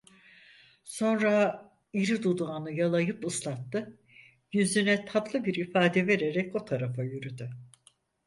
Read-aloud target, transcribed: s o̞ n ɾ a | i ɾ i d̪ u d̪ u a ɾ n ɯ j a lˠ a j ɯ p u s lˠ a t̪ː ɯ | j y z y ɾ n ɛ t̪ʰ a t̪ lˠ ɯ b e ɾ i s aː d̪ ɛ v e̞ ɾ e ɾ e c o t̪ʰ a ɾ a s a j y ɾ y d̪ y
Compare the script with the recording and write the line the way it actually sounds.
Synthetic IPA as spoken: s o̞ n ɾ a | i ɾ i d̪ u d̪ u a n ɯ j a lˠ a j ɯ p ɯ s lˠ a t̪ː ɯ | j y z y n ɛ t̪ʰ a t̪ lˠ ɯ b i ɾ i f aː d̪ ɛ v e̞ ɾ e ɾ ɛ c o t̪ʰ a ɾ a f a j y ɾ y d̪ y